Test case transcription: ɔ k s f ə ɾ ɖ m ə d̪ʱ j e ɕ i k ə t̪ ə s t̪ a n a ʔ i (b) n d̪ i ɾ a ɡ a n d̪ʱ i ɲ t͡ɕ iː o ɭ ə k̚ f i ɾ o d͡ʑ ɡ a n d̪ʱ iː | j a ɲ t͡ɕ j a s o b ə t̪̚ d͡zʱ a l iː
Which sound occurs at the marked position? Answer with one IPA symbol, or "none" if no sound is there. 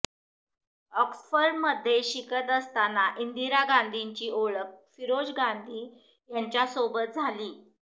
none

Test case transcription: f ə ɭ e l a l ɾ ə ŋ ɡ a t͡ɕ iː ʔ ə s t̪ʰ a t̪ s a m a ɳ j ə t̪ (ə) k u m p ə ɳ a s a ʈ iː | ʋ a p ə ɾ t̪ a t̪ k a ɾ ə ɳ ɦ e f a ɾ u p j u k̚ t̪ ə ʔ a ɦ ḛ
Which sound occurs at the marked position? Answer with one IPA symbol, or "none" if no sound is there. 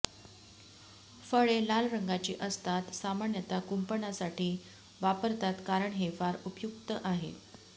a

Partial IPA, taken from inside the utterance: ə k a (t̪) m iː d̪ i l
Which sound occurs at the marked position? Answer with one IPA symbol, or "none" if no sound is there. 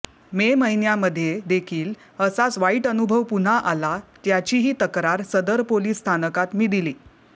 t̪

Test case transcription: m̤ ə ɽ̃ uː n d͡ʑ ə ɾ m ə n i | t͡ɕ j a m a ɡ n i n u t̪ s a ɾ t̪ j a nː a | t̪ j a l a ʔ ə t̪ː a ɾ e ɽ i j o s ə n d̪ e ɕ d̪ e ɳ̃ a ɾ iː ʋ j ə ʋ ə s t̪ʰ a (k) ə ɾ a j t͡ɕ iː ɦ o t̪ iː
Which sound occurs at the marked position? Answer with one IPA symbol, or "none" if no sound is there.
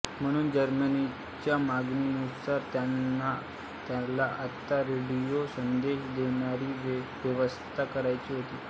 k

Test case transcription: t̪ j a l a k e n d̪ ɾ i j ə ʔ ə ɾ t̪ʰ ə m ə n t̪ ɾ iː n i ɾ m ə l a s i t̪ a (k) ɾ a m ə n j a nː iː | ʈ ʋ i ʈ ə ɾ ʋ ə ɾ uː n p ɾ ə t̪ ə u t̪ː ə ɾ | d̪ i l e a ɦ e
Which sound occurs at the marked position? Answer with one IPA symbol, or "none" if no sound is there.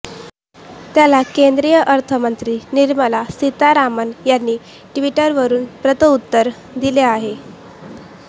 none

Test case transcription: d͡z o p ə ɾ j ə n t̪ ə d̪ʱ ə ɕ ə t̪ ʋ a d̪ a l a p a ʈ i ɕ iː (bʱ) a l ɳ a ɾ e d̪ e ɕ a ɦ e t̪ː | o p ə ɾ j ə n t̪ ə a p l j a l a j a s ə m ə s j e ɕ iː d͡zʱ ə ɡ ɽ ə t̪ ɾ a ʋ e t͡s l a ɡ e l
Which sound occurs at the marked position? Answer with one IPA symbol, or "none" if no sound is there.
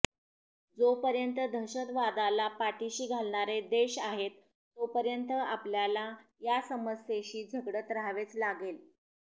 ɡʱ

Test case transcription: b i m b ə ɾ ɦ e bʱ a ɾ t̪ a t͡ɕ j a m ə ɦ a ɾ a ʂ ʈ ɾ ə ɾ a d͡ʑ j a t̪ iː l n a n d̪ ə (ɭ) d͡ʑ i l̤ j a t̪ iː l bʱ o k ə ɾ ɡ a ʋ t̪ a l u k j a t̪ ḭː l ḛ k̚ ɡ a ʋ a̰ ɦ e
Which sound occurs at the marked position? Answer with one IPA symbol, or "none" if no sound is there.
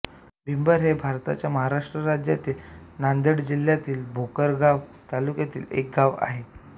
ɽ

